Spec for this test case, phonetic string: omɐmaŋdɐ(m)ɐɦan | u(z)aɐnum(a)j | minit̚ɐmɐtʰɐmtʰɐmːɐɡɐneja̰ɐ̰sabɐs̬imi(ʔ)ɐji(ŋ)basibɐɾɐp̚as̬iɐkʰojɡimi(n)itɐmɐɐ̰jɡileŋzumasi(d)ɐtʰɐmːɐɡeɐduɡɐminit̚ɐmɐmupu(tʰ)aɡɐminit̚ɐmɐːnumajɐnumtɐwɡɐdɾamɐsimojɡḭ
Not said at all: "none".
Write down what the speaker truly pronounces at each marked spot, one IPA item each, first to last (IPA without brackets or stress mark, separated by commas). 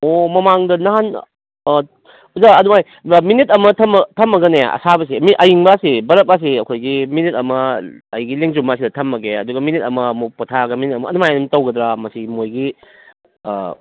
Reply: n, z, a, ʔ, ŋ, n, d, tʰ